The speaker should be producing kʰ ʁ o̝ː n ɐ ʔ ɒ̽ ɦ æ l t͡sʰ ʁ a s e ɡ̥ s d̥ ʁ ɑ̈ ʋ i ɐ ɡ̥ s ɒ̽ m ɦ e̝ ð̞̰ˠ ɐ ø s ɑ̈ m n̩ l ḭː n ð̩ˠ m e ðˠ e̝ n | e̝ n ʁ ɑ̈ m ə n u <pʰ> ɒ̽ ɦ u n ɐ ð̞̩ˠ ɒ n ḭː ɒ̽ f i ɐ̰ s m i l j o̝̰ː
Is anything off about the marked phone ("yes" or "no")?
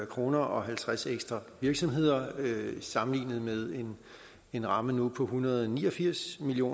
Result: no